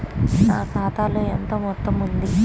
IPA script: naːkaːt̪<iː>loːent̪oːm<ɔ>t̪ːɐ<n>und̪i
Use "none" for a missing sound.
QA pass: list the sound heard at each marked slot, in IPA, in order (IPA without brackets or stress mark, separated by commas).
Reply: aː, ɔ, m